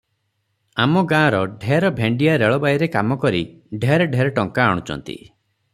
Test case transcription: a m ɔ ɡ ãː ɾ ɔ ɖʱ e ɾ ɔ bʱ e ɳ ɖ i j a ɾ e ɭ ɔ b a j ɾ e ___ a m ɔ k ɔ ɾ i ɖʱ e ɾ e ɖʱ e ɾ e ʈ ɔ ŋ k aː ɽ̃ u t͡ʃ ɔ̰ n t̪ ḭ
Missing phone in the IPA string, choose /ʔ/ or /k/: k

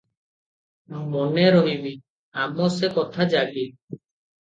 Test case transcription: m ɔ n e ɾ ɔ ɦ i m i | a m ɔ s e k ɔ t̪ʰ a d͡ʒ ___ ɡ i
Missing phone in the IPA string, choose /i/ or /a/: a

